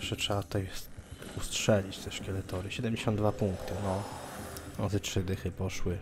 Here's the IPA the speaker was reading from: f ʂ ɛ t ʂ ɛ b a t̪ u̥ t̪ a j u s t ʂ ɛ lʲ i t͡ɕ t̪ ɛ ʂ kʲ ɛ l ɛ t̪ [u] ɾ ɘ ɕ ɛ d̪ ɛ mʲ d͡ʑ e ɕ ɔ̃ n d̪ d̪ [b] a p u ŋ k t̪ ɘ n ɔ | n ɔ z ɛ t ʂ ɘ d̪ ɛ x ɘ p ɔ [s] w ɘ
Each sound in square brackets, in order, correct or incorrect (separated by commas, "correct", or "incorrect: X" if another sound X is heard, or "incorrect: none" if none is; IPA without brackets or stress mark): incorrect: ɔ, incorrect: v, incorrect: ʂ